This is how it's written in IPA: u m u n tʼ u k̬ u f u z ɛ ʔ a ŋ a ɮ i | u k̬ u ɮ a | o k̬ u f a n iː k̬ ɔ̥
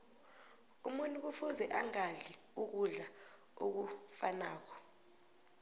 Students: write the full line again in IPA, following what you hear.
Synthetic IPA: u m u n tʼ u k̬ u f u z ɛ ʔ a ŋ a ɮ i | u k̬ u ɮ a | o k̬ u f a n aː k̬ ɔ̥